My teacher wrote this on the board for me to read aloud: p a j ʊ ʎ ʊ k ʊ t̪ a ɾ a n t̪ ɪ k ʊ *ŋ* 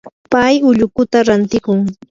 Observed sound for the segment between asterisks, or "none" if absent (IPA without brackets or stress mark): ŋ